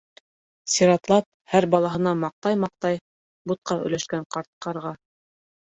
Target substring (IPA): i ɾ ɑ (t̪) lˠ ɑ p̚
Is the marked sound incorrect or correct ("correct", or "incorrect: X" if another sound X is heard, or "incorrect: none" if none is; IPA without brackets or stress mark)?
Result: correct